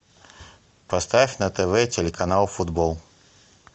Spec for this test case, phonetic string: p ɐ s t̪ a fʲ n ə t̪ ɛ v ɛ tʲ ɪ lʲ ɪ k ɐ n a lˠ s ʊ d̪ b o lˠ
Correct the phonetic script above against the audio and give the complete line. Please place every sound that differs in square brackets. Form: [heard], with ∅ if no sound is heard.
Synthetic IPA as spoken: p ɐ s t̪ a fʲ n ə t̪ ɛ v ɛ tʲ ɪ lʲ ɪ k ɐ n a lˠ [f] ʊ d̪ b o lˠ